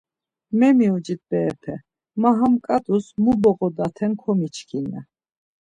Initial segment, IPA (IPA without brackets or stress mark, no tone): m